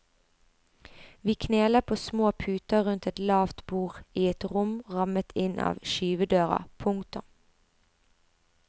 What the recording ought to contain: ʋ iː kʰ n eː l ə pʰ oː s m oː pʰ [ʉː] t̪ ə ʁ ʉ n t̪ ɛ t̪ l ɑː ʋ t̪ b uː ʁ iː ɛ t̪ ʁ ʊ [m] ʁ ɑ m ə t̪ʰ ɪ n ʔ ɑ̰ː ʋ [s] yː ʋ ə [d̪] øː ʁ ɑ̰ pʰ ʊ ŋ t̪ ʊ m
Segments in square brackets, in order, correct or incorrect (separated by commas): correct, correct, incorrect, correct